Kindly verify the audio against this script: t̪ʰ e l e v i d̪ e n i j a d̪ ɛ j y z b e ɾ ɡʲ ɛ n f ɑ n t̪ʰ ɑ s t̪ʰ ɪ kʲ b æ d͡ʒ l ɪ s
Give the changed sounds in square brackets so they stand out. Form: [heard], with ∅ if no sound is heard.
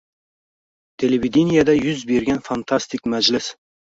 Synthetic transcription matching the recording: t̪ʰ e l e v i d̪ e n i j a d̪ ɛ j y z b e ɾ ɡʲ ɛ n f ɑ n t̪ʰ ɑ s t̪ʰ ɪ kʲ [m] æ d͡ʒ l ɪ s